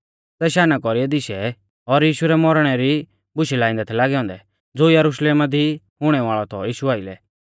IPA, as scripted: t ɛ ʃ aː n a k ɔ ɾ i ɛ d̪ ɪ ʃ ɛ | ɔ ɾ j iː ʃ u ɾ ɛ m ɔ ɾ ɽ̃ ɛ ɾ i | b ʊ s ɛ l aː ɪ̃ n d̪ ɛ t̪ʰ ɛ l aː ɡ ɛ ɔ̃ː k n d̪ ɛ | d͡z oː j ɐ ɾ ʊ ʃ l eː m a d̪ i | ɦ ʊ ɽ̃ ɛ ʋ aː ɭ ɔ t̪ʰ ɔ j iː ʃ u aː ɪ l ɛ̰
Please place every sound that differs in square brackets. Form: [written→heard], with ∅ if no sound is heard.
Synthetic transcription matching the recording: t ɛ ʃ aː n a k ɔ ɾ i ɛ d̪ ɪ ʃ ɛ | ɔ ɾ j iː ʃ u ɾ ɛ m ɔ ɾ ɽ̃ ɛ ɾ i | b ʊ [s→ʃ] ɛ l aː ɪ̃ n d̪ ɛ t̪ʰ ɛ l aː ɡ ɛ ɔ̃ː [k→∅] n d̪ ɛ | d͡z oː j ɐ ɾ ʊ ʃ l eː m a d̪ i | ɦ ʊ ɽ̃ ɛ ʋ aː ɭ ɔ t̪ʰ ɔ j iː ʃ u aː ɪ l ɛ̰